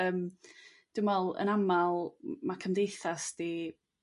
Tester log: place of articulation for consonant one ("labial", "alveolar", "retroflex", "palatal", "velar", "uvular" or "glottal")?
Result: labial